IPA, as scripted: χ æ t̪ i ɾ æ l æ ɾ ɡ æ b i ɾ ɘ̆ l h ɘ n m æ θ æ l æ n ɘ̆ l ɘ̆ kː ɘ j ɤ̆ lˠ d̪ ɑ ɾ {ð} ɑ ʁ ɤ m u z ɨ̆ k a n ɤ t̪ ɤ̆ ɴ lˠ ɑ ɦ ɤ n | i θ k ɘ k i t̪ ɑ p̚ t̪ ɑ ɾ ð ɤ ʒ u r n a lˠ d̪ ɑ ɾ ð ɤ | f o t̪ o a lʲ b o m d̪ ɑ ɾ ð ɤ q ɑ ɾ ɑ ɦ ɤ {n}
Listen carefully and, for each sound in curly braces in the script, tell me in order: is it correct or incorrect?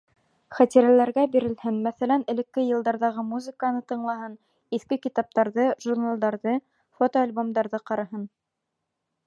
correct, correct

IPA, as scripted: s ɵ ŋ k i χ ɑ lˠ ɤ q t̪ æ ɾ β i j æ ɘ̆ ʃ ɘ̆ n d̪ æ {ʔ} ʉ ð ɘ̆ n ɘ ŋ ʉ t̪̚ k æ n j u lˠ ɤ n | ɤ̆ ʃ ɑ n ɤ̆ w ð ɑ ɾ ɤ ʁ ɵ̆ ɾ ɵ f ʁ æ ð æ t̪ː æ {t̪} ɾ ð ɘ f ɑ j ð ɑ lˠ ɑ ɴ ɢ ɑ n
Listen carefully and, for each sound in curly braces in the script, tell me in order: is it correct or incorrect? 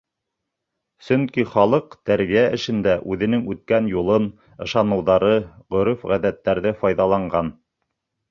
correct, incorrect: none

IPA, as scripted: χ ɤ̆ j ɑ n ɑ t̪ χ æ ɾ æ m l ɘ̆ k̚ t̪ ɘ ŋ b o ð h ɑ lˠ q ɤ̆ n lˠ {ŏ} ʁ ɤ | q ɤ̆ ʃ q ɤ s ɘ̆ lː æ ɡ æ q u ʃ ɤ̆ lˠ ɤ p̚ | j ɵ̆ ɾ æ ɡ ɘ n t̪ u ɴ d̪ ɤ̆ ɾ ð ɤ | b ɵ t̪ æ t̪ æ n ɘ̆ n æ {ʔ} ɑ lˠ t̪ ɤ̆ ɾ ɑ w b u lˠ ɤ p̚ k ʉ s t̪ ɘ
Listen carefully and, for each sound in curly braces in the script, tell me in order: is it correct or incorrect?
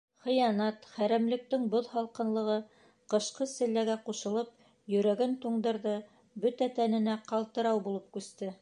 incorrect: ɤ̆, incorrect: q

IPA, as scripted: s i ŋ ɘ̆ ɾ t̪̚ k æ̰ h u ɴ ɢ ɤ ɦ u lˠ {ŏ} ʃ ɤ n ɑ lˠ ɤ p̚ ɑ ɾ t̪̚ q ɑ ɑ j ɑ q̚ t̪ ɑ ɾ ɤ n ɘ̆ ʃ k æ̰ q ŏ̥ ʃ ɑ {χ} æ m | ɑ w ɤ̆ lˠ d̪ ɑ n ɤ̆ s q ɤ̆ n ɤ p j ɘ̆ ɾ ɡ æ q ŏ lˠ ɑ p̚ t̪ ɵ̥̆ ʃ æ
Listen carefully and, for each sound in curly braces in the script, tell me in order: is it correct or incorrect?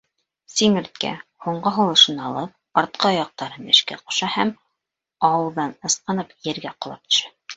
incorrect: ɤ̆, incorrect: h

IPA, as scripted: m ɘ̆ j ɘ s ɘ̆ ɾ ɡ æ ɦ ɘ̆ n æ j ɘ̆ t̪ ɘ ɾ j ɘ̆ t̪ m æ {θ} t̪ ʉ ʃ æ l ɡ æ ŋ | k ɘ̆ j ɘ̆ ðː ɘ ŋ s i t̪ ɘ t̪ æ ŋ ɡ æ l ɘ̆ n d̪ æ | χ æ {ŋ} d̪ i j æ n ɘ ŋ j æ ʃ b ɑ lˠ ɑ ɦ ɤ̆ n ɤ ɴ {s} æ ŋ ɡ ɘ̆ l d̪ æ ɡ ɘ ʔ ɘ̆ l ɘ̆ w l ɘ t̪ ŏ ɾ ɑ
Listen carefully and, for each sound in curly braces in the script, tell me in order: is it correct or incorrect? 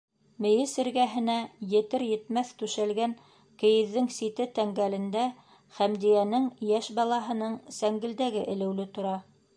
correct, incorrect: m, correct

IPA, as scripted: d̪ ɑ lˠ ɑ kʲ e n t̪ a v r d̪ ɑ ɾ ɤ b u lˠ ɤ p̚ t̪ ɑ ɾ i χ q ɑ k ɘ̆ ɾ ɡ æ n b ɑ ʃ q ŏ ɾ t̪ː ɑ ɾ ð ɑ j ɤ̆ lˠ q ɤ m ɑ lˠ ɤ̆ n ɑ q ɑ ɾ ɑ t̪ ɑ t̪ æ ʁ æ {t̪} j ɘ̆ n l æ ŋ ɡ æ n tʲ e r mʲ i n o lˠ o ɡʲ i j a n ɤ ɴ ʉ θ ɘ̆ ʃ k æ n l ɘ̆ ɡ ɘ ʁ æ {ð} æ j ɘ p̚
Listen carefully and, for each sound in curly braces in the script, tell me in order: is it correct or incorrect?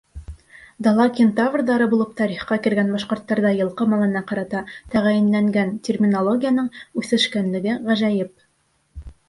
incorrect: none, incorrect: ʒ

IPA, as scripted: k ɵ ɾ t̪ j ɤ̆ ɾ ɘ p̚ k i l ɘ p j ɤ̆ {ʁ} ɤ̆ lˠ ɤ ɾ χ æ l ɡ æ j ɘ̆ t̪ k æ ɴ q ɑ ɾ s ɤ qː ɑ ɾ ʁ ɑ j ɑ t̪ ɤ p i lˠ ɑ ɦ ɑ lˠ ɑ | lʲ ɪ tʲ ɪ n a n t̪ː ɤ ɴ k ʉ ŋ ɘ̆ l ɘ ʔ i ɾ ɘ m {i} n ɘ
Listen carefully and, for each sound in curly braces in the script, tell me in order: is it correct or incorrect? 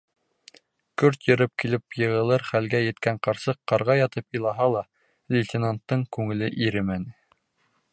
correct, incorrect: æ

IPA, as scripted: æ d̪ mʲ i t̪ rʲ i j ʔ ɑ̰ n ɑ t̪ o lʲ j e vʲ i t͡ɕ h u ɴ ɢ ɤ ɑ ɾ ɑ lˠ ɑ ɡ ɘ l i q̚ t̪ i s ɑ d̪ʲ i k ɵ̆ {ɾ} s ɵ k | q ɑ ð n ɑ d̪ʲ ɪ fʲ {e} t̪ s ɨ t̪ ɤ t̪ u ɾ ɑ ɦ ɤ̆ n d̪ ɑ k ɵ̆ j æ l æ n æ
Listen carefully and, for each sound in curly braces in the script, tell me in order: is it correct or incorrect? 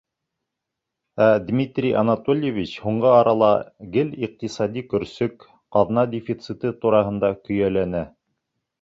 correct, incorrect: i

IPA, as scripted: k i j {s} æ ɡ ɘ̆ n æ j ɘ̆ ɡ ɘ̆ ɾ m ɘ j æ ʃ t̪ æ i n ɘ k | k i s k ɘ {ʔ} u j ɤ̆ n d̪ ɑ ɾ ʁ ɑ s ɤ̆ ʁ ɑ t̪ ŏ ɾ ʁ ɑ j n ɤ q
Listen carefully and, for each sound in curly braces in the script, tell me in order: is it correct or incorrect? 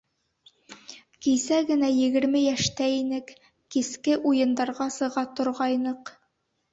correct, correct

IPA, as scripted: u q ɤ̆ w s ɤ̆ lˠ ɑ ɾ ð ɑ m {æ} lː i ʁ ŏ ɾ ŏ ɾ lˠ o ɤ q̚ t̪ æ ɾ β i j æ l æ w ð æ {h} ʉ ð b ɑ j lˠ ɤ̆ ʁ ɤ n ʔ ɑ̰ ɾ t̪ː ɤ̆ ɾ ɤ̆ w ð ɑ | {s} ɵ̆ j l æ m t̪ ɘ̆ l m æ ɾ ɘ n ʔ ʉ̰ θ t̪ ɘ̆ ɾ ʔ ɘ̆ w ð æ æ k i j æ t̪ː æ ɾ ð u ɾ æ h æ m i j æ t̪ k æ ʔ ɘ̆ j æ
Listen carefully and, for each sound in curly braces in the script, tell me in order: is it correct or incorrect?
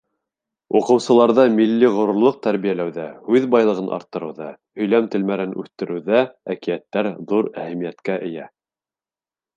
incorrect: i, correct, incorrect: h

